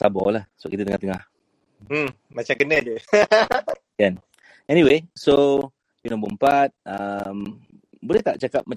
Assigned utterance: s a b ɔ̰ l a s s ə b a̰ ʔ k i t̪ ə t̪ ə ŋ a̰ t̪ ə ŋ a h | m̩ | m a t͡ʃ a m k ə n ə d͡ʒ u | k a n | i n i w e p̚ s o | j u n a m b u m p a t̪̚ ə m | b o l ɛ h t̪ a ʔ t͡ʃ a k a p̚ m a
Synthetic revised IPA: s a b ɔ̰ l a h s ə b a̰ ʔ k i t̪ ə t̪ ə ŋ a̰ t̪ ə ŋ a h | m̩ | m a t͡ʃ a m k ə n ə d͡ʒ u | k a n | ɛ n i w e s o | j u n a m b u m p a t̪̚ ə m | b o l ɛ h t̪ a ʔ t͡ʃ a k a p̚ m a